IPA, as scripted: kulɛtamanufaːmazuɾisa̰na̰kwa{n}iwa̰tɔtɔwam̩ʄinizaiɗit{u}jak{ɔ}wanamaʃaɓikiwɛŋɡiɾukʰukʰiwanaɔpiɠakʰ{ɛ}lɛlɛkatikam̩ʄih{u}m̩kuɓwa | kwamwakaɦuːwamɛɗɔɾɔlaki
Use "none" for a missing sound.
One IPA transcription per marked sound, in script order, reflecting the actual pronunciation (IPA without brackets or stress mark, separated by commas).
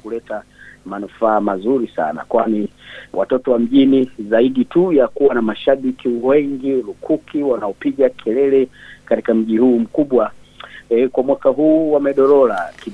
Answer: n, u, u, ɛ, uː